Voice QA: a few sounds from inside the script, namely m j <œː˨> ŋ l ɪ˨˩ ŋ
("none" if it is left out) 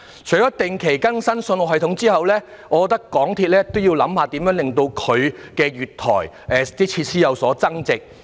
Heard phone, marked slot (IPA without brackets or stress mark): œː˨˥